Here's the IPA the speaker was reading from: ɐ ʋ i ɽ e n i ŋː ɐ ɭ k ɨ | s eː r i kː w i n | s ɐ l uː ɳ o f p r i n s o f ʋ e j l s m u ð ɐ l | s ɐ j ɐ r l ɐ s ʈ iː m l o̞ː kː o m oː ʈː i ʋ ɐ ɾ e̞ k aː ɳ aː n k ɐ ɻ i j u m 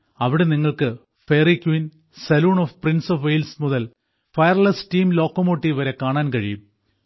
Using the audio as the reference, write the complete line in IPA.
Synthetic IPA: ɐ ʋ i ɽ e n i ŋː ɐ ɭ k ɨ | f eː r i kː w i n | s ɐ l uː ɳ o f p r i n s o f ʋ e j l s m u ð ɐ l | f ɐ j ɐ r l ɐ s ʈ iː m l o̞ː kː o m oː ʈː i ʋ ɐ ɾ e̞ k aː ɳ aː n k ɐ ɻ i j u m